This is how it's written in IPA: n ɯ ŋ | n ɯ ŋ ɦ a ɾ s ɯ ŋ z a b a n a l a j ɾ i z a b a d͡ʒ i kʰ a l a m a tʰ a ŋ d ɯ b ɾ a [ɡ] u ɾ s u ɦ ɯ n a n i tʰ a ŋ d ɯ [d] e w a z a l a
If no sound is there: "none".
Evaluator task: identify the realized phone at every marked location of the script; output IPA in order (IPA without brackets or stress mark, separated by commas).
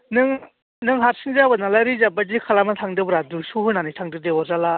d, d